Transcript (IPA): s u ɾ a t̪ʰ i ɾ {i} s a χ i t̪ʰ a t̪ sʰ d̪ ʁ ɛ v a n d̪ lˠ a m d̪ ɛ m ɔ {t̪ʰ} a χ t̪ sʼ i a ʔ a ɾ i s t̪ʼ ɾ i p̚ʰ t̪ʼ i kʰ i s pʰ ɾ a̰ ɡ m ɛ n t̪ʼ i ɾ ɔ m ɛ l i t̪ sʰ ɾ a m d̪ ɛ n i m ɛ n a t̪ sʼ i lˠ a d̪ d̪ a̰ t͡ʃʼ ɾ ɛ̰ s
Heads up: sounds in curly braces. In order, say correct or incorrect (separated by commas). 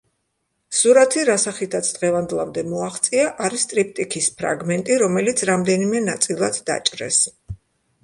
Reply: incorrect, incorrect